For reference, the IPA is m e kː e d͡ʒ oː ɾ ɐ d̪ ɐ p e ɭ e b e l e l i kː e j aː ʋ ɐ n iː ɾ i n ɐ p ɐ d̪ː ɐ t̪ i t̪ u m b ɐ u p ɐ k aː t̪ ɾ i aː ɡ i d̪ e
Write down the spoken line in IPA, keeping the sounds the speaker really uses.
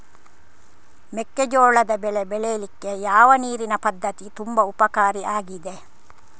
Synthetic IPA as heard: m e kː e d͡ʒ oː ɭ ɐ d̪ ɐ b e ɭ e b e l e l i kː e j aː ʋ ɐ n iː ɾ i n ɐ p ɐ d̪ː ɐ t̪ i t̪ u m b ɐ u p ɐ k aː ɾ i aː ɡ i d̪ e